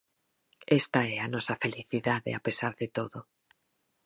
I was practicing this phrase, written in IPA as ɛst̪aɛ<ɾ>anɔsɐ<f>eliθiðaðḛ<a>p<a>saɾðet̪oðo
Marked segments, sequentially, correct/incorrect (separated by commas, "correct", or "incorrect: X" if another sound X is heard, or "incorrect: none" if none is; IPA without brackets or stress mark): incorrect: none, correct, correct, incorrect: e